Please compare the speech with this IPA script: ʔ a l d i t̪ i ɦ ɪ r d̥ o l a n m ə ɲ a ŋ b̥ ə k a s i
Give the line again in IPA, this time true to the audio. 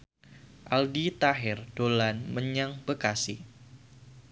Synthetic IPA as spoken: ʔ a l d i t̪ a ɦ ɪ r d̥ o l a n m ə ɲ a ŋ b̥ ə k a s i